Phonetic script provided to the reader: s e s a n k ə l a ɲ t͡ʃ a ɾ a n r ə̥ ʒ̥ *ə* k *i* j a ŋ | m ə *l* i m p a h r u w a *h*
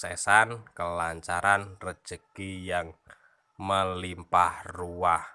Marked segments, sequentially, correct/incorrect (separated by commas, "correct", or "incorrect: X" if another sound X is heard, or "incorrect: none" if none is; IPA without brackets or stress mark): correct, correct, correct, correct